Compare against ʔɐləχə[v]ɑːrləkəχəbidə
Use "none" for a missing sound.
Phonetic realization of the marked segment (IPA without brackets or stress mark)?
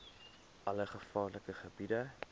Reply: f